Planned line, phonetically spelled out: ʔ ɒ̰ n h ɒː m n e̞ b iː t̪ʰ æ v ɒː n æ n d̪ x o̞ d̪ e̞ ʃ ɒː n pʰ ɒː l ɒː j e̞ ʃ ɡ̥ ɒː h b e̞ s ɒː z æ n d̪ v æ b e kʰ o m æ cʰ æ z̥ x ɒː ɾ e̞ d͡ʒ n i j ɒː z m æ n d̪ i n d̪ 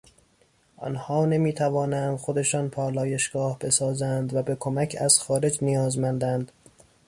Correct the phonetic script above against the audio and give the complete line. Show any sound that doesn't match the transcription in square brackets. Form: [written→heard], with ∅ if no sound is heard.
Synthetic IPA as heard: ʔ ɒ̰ n h ɒː [m→∅] n e̞ [b→m] iː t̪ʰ æ v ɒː n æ n d̪ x o̞ d̪ e̞ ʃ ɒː n pʰ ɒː l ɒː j e̞ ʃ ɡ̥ ɒː h b e̞ s ɒː z æ n d̪ v æ b e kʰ o m æ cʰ æ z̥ x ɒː ɾ e̞ d͡ʒ n i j ɒː z m æ n d̪ [i→æ] n d̪

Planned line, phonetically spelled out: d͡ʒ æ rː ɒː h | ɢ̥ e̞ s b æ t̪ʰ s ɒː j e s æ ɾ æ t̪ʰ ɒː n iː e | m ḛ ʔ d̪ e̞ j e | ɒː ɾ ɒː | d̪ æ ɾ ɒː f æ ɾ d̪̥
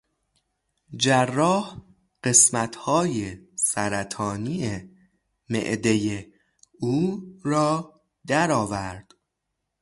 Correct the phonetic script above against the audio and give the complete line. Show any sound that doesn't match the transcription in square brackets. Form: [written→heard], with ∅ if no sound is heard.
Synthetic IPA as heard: d͡ʒ æ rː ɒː h | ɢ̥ e̞ s [b→m] æ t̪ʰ [s→h] ɒː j e s æ ɾ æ t̪ʰ ɒː n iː e | m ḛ ʔ d̪ e̞ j e | [ɒː→uː] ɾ ɒː | d̪ æ ɾ ɒː [f→v] æ ɾ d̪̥

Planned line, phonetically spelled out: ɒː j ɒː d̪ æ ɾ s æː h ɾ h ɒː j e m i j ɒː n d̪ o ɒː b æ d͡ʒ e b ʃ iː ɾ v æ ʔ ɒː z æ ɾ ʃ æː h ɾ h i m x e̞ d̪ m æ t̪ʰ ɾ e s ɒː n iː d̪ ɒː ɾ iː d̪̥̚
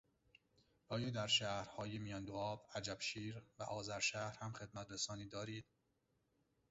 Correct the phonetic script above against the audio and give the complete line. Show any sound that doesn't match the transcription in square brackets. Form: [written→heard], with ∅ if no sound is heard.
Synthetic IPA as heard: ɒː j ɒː d̪ æ ɾ [s→ʃ] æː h ɾ h ɒː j e m i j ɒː n d̪ o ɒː b æ d͡ʒ [e→æ] b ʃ iː ɾ v æ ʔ ɒː z æ ɾ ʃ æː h ɾ h [i→æ] m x e̞ d̪ m æ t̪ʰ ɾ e s ɒː n iː d̪ ɒː ɾ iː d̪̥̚

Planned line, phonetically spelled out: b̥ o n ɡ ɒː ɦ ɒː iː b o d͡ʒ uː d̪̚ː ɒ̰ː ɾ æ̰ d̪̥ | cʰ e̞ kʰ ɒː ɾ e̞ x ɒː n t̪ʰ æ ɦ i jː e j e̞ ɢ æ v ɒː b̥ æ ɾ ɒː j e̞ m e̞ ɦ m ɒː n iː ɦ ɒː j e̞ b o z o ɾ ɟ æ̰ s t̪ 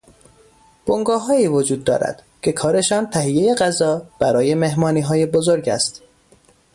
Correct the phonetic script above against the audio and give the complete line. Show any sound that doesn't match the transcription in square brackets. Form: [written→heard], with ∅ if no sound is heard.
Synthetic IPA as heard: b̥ o [n→ŋ] ɡ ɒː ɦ ɒː iː [b→v] o d͡ʒ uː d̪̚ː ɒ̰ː ɾ æ̰ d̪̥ | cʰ e̞ kʰ ɒː ɾ e̞ [x→ʃ] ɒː n t̪ʰ æ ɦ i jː e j e̞ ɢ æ [v→z] ɒː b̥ æ ɾ ɒː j e̞ m e̞ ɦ m ɒː n iː ɦ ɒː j e̞ b o z o ɾ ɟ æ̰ s t̪

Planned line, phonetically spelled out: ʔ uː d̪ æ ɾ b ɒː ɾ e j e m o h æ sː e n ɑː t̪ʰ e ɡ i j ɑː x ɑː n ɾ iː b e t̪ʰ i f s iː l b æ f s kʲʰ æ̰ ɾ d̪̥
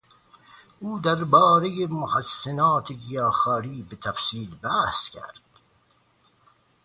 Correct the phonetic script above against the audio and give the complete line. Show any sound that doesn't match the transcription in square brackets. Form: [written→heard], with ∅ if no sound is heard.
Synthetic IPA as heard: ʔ uː d̪ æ ɾ b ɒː ɾ e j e m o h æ sː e n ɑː t̪ʰ e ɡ i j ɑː x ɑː [n→∅] ɾ iː b e t̪ʰ [i→æ] f s iː l b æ [f→h] s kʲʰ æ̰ ɾ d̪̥

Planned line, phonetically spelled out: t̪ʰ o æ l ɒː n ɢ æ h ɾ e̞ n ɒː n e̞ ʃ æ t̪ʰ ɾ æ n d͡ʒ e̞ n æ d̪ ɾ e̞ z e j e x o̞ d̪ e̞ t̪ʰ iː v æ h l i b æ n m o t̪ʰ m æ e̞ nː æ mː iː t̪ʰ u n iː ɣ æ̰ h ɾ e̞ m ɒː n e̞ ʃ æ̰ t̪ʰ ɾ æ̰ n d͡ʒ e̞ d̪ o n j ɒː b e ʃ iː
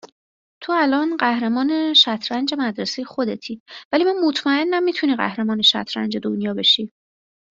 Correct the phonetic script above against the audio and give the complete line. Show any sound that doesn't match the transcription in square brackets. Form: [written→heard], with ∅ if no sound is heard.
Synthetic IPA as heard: t̪ʰ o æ l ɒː n ɢ æ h ɾ e̞ [n→m] ɒː n e̞ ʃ æ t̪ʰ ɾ æ n d͡ʒ e̞ [n→m] æ d̪ ɾ e̞ [z→s] e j e x o̞ d̪ e̞ t̪ʰ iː v æ [h→∅] l i [b→m] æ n m o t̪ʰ m æ e̞ nː æ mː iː t̪ʰ u n iː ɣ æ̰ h ɾ e̞ m ɒː n e̞ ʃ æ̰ t̪ʰ ɾ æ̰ n d͡ʒ e̞ d̪ o n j ɒː b e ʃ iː

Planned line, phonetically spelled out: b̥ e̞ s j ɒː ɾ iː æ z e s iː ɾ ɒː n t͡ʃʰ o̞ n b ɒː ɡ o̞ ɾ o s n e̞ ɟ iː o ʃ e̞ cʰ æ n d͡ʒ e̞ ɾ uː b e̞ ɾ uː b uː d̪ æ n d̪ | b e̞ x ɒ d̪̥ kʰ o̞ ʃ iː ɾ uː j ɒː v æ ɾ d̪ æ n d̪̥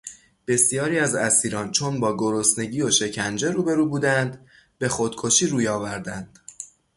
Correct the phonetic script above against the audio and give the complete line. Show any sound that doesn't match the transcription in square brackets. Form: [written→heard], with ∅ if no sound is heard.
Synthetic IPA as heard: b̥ e̞ s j ɒː ɾ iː æ z [e→æ] s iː ɾ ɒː n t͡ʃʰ o̞ n b ɒː ɡ o̞ ɾ o s n e̞ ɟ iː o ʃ e̞ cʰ æ n d͡ʒ e̞ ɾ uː b e̞ ɾ uː b uː d̪ æ n d̪ | b e̞ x [ɒ→o] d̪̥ kʰ o̞ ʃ iː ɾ uː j ɒː v æ ɾ d̪ æ n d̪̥

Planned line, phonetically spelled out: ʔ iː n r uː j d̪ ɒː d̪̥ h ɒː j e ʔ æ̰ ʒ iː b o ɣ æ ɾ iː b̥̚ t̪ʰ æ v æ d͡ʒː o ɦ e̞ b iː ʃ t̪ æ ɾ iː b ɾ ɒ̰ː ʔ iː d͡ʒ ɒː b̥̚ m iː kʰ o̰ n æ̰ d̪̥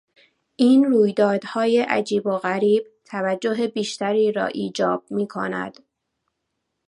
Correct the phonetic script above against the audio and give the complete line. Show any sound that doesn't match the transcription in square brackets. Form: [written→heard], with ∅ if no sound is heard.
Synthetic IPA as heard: ʔ iː n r uː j d̪ ɒː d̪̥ h ɒː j e ʔ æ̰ [ʒ→d͡ʒ] iː b o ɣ æ ɾ iː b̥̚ t̪ʰ æ v æ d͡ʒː o ɦ e̞ b iː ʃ t̪ æ ɾ iː [b→∅] ɾ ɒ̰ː ʔ iː d͡ʒ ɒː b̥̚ m iː kʰ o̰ n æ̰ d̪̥

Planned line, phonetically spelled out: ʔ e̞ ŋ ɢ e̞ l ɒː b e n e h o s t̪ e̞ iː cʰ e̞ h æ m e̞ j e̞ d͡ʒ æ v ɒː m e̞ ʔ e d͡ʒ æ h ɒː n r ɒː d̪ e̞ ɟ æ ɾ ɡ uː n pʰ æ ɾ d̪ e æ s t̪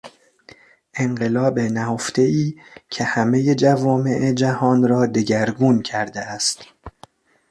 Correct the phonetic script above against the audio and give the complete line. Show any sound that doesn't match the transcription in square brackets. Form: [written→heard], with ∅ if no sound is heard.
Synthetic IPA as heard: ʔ e̞ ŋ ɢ e̞ l ɒː b e n [e→æ] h o [s→f] t̪ e̞ iː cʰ e̞ h æ m e̞ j e̞ d͡ʒ æ v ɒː m e̞ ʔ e d͡ʒ æ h ɒː n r ɒː d̪ e̞ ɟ æ ɾ ɡ uː n [pʰ→cʰ] æ ɾ d̪ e æ s t̪

